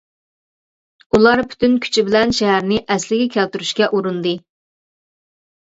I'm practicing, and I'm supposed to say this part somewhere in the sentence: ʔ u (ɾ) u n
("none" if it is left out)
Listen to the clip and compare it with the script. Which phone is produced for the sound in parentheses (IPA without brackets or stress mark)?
ɾ